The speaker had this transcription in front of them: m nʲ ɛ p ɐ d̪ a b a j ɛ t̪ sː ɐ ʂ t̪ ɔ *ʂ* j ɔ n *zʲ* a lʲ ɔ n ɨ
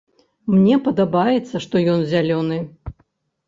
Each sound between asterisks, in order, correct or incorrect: incorrect: none, correct

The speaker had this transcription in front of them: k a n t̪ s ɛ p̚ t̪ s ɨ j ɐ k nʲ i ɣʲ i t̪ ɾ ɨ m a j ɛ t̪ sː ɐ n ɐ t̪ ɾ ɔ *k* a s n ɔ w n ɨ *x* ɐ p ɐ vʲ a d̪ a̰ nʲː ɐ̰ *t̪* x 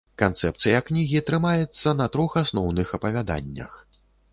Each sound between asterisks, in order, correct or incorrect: incorrect: x, correct, incorrect: none

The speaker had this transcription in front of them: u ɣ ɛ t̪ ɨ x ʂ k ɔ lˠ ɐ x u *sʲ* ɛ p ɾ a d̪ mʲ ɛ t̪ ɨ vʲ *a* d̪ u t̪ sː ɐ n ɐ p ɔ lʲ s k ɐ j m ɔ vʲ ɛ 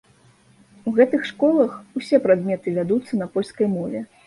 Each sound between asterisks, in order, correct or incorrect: correct, correct

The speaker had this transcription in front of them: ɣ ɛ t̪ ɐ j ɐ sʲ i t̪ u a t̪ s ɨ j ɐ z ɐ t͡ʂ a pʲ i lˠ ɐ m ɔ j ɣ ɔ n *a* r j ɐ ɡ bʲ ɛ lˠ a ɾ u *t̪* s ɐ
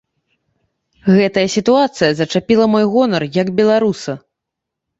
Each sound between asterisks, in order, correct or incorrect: incorrect: ɐ, incorrect: none

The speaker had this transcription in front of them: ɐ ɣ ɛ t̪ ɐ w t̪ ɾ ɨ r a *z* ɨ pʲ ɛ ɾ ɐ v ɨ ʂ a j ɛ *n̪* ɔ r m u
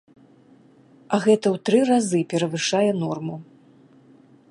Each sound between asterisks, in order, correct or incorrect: correct, correct

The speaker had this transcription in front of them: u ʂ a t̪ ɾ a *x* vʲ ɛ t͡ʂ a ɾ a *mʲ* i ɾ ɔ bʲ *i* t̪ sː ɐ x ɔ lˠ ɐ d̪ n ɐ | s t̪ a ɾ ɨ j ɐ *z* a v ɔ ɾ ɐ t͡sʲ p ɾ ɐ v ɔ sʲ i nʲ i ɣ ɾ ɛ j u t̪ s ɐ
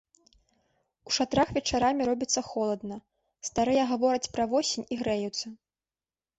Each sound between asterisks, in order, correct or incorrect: correct, correct, correct, incorrect: ɣ

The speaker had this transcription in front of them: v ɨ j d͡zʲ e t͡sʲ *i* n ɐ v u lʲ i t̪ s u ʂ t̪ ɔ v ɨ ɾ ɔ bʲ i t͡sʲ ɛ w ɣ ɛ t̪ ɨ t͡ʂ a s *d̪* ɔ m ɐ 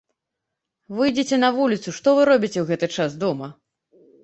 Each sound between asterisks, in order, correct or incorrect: incorrect: ɛ, correct

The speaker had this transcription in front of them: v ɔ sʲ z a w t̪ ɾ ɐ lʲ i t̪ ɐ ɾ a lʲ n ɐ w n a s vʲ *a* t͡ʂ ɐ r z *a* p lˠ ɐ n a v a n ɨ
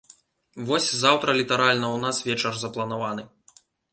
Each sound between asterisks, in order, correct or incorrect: incorrect: ɛ, incorrect: ɐ

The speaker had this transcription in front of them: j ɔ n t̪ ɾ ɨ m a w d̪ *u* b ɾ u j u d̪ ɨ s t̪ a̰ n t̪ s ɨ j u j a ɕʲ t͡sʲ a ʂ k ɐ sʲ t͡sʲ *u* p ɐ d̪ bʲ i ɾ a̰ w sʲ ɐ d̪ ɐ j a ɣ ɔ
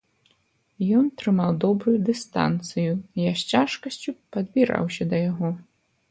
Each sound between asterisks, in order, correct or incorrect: incorrect: ɔ, correct

